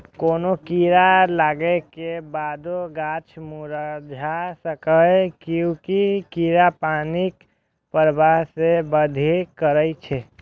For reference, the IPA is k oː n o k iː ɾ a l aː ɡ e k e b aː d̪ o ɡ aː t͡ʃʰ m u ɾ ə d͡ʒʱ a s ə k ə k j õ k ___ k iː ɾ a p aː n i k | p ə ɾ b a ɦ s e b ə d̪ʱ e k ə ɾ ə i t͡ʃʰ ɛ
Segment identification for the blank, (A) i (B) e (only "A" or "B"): A